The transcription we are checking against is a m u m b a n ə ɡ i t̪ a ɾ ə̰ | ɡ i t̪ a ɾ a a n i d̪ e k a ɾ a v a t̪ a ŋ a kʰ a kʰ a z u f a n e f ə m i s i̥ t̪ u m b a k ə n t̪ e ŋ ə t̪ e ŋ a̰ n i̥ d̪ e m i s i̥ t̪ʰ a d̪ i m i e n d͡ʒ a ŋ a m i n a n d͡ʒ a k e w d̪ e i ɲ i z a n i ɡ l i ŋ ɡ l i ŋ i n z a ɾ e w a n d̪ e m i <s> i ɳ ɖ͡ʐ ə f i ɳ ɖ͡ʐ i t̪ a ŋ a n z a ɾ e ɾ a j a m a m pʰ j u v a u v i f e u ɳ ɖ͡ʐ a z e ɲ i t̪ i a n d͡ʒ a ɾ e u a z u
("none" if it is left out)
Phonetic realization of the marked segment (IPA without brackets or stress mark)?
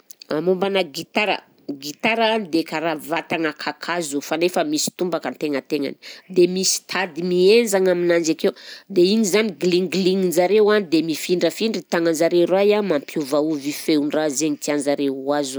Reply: f